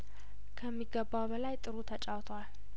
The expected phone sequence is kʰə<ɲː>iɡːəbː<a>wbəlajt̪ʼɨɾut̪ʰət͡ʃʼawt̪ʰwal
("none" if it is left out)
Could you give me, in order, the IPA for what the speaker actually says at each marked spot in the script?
mː, a

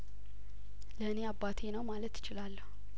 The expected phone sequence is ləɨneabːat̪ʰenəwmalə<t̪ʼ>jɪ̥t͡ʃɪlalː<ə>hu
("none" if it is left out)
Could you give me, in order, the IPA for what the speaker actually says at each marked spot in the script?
t̪, ə

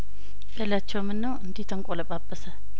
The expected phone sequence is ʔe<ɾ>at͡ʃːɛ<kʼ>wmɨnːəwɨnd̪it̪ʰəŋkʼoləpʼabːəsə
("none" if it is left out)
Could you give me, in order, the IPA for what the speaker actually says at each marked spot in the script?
l, none

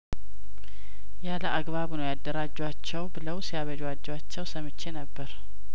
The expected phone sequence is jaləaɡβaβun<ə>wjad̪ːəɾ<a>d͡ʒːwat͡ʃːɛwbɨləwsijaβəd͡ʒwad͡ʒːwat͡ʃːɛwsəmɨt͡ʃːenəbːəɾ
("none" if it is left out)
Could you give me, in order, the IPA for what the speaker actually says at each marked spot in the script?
ə, a

